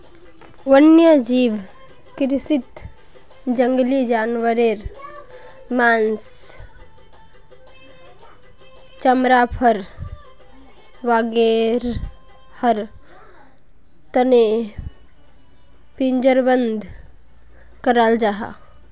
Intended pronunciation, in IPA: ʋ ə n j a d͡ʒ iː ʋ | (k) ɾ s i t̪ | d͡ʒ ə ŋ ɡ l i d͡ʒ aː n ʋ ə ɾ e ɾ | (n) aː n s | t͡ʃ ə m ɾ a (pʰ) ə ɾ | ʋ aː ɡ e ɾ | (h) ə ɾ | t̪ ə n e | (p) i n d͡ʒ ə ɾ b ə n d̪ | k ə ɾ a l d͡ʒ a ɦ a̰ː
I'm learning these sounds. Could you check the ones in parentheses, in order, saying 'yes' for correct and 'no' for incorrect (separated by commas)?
yes, no, yes, yes, yes